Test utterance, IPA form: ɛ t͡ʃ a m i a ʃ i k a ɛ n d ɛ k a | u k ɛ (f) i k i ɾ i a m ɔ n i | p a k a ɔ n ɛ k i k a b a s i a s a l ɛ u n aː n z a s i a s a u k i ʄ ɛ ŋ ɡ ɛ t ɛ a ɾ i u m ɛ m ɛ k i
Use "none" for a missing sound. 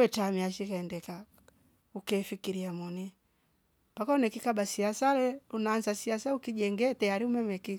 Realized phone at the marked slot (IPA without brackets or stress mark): f